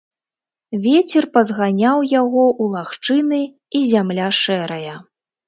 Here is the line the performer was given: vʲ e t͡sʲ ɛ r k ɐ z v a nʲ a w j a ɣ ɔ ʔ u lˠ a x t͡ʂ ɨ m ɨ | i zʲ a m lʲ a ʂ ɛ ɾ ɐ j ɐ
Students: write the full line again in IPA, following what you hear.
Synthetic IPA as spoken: vʲ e t͡sʲ ɛ r p ɐ z ɣ a nʲ a w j a ɣ ɔ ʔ u lˠ a x t͡ʂ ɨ n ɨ | i zʲ a m lʲ a ʂ ɛ ɾ ɐ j ɐ